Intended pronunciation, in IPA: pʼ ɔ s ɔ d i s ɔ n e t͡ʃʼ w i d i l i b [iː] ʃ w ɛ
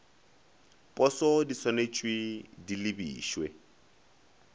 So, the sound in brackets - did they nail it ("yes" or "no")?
yes